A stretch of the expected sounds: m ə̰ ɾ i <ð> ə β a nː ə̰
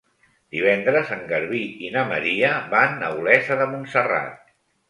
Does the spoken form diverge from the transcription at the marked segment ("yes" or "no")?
yes